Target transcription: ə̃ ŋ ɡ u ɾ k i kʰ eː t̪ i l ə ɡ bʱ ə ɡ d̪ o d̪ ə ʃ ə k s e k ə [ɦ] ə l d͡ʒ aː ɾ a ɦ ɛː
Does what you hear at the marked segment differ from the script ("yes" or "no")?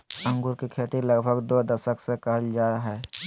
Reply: no